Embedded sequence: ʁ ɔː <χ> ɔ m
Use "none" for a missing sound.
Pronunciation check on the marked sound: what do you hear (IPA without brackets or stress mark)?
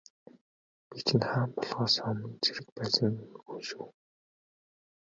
s